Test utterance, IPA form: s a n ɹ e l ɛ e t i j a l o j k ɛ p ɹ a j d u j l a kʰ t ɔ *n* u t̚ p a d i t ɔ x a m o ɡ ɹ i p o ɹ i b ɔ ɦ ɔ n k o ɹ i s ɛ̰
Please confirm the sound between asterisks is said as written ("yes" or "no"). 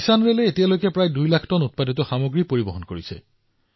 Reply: yes